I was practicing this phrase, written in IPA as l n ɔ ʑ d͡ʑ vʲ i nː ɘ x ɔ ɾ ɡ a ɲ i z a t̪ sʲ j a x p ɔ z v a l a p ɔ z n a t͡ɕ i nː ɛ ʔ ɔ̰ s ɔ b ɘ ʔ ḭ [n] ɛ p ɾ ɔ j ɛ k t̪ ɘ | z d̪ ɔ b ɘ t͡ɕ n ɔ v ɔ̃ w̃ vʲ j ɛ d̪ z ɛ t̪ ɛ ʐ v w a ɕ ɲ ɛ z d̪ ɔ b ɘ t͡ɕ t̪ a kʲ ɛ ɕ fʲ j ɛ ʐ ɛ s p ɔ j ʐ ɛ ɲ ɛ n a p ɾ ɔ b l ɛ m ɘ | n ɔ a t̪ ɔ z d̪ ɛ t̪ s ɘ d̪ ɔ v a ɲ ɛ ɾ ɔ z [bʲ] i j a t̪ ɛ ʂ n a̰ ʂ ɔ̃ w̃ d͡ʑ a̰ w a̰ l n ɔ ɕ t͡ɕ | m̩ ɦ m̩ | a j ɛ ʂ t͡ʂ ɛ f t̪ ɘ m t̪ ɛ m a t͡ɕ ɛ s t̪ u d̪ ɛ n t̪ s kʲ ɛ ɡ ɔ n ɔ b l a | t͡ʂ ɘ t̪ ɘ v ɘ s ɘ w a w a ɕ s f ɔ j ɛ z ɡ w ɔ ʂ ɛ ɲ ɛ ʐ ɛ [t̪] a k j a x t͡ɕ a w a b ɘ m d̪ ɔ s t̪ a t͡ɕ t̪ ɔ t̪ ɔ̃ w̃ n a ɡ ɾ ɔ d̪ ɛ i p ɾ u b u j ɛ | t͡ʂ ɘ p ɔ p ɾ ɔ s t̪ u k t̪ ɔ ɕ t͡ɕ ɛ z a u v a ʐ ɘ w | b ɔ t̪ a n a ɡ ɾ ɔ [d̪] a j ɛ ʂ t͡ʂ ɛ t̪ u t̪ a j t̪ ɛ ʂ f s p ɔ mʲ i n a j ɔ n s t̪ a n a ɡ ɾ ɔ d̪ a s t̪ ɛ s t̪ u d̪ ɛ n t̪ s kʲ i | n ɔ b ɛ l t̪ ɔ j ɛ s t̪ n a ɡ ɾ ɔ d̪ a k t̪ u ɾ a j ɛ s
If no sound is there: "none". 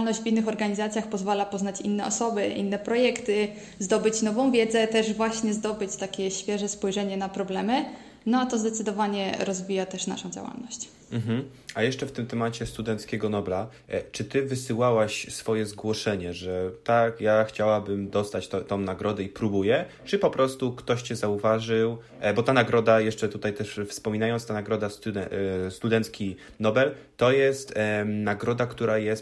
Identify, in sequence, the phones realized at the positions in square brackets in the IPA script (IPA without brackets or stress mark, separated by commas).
nː, vʲ, t̪, d̪